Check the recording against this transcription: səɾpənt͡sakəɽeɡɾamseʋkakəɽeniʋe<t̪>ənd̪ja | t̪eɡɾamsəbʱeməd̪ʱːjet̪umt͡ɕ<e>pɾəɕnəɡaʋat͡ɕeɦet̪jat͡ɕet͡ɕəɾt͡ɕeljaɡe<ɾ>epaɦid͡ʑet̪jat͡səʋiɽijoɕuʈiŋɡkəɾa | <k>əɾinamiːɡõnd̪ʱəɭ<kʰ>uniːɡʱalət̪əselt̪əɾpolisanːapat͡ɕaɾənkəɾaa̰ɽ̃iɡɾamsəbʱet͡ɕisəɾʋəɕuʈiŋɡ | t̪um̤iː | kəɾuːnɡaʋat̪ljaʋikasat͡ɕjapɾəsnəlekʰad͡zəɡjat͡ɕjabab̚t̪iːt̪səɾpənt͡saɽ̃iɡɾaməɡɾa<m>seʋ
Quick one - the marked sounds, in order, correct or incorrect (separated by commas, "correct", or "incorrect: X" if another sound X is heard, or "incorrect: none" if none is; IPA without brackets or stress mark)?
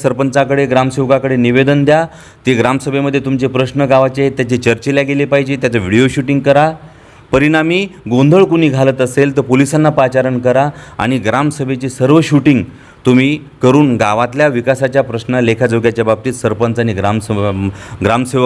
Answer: incorrect: d̪, correct, incorrect: l, incorrect: p, incorrect: k, correct